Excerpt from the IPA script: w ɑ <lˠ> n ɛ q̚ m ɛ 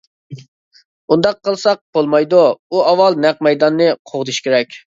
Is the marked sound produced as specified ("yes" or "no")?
yes